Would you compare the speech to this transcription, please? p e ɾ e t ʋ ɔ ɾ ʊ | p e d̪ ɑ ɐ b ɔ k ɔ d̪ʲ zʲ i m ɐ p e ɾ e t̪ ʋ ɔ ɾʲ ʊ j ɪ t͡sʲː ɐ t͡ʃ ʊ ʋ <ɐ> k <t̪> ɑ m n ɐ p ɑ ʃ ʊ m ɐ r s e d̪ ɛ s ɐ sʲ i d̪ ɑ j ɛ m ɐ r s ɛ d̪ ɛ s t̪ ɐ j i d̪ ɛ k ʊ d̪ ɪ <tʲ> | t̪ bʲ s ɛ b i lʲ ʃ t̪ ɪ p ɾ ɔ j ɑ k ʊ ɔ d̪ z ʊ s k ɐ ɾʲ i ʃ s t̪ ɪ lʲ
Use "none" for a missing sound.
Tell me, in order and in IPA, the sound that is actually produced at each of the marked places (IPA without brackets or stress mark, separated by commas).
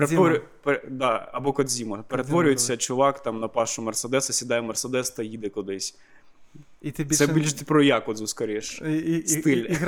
ɑ, t̪, sʲ